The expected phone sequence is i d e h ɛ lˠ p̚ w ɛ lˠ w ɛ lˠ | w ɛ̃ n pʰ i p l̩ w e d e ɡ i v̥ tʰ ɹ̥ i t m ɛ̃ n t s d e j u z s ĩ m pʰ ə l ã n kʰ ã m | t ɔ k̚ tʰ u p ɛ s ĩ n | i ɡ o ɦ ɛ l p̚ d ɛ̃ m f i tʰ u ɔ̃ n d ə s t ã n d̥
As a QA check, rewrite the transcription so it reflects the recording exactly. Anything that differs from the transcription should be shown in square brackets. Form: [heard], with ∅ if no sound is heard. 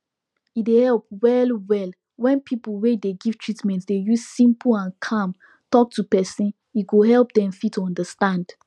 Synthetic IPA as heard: i d e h ɛ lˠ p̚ w ɛ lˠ w ɛ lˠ | w ɛ̃ n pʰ i p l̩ w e d e ɡ i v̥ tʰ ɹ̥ i t m ɛ̃ n t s d e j u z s ĩ m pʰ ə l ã n kʰ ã m | t ɔ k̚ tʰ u p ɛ s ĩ n | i ɡ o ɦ ɛ l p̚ d ɛ̃ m f i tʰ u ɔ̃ n d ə s t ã n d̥

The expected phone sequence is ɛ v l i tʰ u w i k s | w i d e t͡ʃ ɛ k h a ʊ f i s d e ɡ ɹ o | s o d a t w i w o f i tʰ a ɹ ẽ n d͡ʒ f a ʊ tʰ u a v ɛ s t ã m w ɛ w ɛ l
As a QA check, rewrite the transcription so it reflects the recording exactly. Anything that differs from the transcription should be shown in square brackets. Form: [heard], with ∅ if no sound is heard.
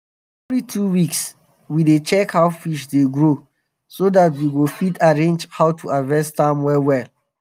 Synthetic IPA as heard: ɛ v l i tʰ u w i k s | w i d e t͡ʃ ɛ k h a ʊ f i [ʃ] d e ɡ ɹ o | s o d a t w i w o f i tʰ a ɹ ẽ n d͡ʒ [h] a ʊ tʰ u a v ɛ s t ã m w ɛ w ɛ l

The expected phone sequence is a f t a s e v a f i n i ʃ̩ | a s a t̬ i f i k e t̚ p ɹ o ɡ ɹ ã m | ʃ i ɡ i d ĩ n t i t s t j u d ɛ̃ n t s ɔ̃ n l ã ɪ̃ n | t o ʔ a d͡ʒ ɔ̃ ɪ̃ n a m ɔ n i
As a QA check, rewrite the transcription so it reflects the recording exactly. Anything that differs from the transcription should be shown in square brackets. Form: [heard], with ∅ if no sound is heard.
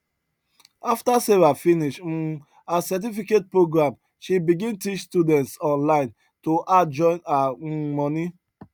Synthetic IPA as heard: a f t a s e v a f i n i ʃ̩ | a s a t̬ i f i k e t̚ p ɹ o ɡ ɹ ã m | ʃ i [b] i [ɡ] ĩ n t i [t͡ʃ] s t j u d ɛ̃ n t s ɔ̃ n l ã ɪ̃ n | t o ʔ a d͡ʒ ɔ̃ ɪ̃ n a m ɔ n i

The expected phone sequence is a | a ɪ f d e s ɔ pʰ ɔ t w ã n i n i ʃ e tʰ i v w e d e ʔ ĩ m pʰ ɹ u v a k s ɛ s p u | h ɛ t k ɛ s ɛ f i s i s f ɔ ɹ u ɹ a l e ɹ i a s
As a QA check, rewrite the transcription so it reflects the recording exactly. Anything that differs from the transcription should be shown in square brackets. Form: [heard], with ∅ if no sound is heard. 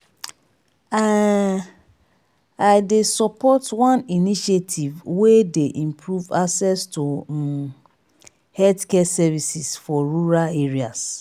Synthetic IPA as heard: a | a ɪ [∅] d e s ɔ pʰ ɔ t w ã n i n i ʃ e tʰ i v w e d e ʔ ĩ m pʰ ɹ u v a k s ɛ s [t] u | h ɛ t k ɛ s ɛ [v] i s i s f ɔ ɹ u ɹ a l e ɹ i a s

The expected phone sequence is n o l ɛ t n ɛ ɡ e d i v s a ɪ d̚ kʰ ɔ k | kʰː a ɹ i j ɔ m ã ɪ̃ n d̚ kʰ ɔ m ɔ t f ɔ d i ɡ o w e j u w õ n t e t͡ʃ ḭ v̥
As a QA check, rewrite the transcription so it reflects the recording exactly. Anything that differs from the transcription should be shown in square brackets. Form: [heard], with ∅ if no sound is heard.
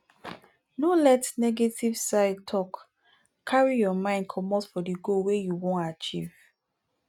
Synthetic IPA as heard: n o l ɛ t n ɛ ɡ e [t] i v s a ɪ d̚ [tʰ] ɔ k | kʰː a ɹ i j ɔ m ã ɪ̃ n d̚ kʰ ɔ m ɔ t f ɔ d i ɡ o w e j u w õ n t [a] t͡ʃ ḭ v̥

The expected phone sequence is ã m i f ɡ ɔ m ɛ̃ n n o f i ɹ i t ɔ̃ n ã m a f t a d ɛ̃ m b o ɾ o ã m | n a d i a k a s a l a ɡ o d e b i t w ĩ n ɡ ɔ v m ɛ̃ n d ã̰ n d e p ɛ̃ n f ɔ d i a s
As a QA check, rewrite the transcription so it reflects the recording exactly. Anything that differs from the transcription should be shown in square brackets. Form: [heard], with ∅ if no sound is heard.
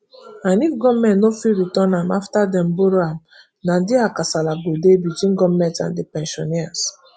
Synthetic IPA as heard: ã [n] i f ɡ ɔ m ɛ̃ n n o f i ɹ i t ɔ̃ n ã m a f t a d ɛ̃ m b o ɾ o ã m | n a d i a k a s a l a ɡ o d e b i t w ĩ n ɡ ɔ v m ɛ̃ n [t] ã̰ n d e p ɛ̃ n [ʃ] ɔ [n] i a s

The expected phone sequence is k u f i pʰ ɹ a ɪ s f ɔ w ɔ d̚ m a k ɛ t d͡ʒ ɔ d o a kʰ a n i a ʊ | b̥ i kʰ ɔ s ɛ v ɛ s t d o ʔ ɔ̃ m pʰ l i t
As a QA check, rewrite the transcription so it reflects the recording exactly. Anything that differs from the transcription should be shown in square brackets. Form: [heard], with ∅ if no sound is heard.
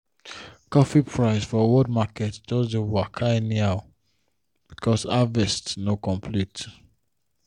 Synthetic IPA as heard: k [ɔ] f i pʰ ɹ a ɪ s f ɔ w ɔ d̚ m a k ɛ t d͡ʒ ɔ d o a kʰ a n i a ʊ | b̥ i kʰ ɔ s [a] v ɛ s t [n] o [k] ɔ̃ m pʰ l i t

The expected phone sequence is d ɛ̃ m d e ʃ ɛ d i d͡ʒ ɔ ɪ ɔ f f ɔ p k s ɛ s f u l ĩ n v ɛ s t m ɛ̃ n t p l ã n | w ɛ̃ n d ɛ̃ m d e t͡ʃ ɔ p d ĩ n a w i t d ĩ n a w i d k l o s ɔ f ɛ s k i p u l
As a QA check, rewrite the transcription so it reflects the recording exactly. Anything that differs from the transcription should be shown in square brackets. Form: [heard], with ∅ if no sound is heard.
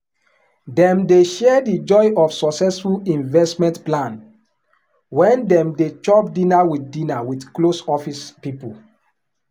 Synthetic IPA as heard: d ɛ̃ m d e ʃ ɛ d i d͡ʒ ɔ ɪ ɔ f [s] ɔ [∅] k s ɛ s f u l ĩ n v ɛ s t m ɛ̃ n t p l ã n | w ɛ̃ n d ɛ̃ m d e t͡ʃ ɔ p d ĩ n a w i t d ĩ n a w i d k l o s ɔ f [i] s [p] i p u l

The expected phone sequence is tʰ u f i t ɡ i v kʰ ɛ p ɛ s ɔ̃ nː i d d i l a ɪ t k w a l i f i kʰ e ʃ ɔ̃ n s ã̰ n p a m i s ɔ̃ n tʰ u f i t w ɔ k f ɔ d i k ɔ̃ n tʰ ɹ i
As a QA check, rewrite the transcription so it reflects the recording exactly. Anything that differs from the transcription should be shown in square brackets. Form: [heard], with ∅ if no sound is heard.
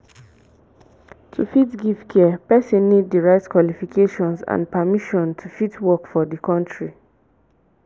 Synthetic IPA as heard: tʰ u f i t ɡ i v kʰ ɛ p ɛ s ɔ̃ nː i d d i [ɹ] a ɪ t k w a l i f i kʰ e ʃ ɔ̃ n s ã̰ n p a m i [ʃ] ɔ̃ n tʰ u f i t w ɔ k f ɔ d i k ɔ̃ n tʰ ɹ i

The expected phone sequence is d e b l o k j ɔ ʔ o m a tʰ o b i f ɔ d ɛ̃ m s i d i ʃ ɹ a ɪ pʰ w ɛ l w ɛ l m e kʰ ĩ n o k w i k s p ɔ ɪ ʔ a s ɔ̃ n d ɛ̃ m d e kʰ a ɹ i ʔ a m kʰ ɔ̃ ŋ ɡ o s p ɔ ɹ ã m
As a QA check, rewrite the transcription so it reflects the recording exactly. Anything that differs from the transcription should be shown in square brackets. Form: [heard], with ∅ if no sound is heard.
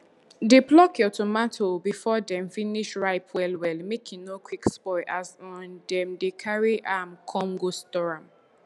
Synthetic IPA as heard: d e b l [ɔ] k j ɔ [t] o m a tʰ o b i f ɔ d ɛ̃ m [f] i [n] i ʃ ɹ a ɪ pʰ w ɛ l w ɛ l m e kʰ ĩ n o k w i k s p ɔ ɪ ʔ a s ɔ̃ n d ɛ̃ m d e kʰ a ɹ i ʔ a m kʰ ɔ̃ ŋ ɡ o s [t] ɔ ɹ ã m

